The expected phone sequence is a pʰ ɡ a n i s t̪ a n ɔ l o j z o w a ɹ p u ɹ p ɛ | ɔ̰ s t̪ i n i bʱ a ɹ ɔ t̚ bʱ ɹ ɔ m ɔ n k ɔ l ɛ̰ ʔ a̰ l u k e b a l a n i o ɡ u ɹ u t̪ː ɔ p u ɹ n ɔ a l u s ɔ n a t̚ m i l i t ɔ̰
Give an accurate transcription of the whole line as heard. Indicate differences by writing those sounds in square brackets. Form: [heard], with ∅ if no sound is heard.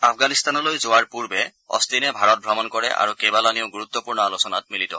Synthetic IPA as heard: a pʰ ɡ a n i s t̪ a n ɔ l o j z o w a ɹ p u ɹ [b] ɛ | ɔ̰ s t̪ i n [ɛ] bʱ a ɹ ɔ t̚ bʱ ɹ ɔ m ɔ n k ɔ [ɹ] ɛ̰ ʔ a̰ [ɹ] u k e b a l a n i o ɡ u ɹ u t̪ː ɔ p u ɹ n ɔ a l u s ɔ n a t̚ m i l i t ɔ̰